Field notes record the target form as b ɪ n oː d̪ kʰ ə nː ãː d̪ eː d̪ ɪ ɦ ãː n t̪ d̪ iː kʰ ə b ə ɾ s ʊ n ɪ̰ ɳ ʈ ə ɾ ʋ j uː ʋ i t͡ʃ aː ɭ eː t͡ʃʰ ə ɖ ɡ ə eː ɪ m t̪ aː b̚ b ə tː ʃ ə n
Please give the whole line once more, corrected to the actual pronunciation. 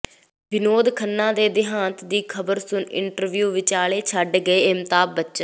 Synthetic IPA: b ɪ n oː d̪ kʰ ə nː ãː d̪ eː d̪ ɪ ɦ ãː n t̪ d̪ iː kʰ ə b ə ɾ s ʊ n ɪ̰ ɳ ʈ ə ɾ ʋ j uː ʋ ɪ t͡ʃ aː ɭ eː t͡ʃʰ ə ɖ ɡ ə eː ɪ m t̪ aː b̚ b ə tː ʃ ə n

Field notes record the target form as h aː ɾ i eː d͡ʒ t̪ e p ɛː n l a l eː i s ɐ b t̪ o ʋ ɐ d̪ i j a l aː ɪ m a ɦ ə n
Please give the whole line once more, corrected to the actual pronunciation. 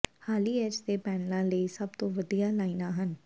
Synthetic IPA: h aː l i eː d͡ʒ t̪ e p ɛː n l a l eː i s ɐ b t̪ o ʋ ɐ d̪ i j a l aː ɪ n a ɦ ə n

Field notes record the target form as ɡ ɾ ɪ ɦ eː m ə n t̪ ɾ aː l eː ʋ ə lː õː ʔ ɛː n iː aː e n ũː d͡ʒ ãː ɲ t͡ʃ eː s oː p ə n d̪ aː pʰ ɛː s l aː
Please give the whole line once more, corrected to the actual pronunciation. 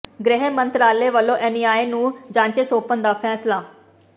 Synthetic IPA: ɡ ɾ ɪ ɦ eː m ə n t̪ ɾ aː l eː ʋ ə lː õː ʔ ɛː n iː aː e n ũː d͡ʒ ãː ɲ t͡ʃ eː s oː p ə n d̪ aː pʰ ɛː s l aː

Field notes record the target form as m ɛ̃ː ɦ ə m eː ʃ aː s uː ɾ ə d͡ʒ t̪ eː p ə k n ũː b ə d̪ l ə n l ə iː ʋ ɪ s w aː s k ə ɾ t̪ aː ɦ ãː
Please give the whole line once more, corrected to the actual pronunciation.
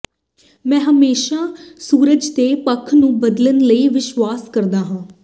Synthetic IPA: m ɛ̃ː ɦ ə m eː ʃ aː s uː ɾ ə d͡ʒ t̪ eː p ə kʰ n ũː b ə d̪ l ə n l ə iː ʋ ɪ ʃ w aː s k ə ɾ d̪ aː ɦ ãː

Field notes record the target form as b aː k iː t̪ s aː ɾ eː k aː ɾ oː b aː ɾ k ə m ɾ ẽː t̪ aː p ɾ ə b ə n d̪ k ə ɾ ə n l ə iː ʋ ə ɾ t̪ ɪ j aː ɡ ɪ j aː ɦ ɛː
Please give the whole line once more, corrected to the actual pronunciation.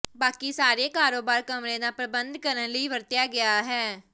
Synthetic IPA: b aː k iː s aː ɾ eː k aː ɾ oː b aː ɾ k ə m ɾ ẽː d̪ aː p ɾ ə b ə n d̪ k ə ɾ ə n l ə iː ʋ ə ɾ t̪ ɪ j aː ɡ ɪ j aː ɦ ɛː

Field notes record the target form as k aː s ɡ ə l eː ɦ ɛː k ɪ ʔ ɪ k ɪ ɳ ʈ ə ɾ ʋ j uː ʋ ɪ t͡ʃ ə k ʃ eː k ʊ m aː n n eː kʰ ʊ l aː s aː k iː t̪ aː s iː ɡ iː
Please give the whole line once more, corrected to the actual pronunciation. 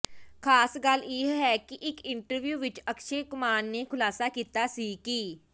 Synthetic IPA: kʰ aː s ɡ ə l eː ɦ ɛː k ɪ ʔ ɪ k ɪ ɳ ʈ ə ɾ ʋ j uː ʋ ɪ t͡ʃ ə k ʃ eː k ʊ m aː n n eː kʰ ʊ l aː s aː k iː t̪ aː s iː k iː

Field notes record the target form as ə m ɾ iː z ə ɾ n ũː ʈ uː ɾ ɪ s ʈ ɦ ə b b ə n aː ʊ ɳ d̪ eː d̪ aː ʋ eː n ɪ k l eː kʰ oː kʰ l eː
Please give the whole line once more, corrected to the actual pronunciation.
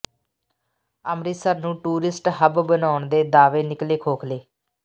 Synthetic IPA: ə m ɾ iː s ə ɾ n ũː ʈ uː ɾ ɪ s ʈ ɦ ə b b ə n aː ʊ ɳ d̪ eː d̪ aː ʋ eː n ɪ k l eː kʰ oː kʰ l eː

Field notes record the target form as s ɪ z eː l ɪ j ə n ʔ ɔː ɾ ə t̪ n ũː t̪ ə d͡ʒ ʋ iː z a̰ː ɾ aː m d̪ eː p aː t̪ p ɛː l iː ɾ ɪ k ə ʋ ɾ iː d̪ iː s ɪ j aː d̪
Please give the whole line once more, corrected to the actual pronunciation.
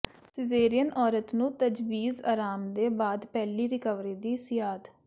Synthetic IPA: s ɪ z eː ɾ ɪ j ə n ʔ ɔː ɾ ə t̪ n ũː t̪ ə d͡ʒ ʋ iː z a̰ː ɾ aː m d̪ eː b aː d̪ p ɛː l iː ɾ ɪ k ə ʋ ɾ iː d̪ iː s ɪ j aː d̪

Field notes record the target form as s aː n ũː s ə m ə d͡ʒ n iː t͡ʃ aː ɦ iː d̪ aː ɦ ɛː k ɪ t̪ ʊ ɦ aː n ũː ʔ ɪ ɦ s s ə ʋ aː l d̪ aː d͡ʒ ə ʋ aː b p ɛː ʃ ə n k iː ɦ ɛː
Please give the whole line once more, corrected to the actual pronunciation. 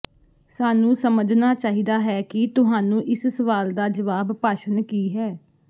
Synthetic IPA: s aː n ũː s ə m ə d͡ʒ n aː t͡ʃ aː ɦ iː d̪ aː ɦ ɛː k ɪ t̪ ʊ ɦ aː n ũː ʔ ɪ s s ə ʋ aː l d̪ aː d͡ʒ ə ʋ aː b p aː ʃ ə n k iː ɦ ɛː

